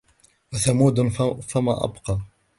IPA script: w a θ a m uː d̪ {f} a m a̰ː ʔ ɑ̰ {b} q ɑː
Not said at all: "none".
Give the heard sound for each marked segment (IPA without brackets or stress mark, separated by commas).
f, b